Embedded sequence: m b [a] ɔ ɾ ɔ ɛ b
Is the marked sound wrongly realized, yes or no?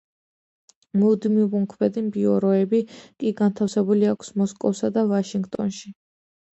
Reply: yes